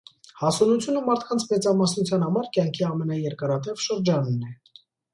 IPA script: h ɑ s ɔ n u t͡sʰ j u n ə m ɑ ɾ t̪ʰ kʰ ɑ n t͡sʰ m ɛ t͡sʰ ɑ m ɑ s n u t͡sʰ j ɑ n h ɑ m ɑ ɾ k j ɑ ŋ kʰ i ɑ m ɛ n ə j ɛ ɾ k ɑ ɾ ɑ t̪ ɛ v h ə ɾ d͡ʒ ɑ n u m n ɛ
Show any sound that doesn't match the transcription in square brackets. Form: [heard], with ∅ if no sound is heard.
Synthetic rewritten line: h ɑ s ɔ n u t͡sʰ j u n ə m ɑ ɾ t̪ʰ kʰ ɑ n t͡sʰ m ɛ [t͡s] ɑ m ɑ s n u t͡sʰ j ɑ n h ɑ m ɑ ɾ k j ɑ ŋ kʰ i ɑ m ɛ n [ɑ] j ɛ ɾ k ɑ ɾ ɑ t̪ ɛ v [ʃ] ə ɾ d͡ʒ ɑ n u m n ɛ